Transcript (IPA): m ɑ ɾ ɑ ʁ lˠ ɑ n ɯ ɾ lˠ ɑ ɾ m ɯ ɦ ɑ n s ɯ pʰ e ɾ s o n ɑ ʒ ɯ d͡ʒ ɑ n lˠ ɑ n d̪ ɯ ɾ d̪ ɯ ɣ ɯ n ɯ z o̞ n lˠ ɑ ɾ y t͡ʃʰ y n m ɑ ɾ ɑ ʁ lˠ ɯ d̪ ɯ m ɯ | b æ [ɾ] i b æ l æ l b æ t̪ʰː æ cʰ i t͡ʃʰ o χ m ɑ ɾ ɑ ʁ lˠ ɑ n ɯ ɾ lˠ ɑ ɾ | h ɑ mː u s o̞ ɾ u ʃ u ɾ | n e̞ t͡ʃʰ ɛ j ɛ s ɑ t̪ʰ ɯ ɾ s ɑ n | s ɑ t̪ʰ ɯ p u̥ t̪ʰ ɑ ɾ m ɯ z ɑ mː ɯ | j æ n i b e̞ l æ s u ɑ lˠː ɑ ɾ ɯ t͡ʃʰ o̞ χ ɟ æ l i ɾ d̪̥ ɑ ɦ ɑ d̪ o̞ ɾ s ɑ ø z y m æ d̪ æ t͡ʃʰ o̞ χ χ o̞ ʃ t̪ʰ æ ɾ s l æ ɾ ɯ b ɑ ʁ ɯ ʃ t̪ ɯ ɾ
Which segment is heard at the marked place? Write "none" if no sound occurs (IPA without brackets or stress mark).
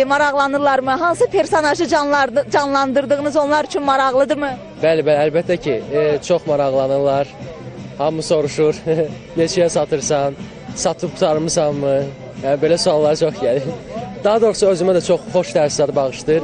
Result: l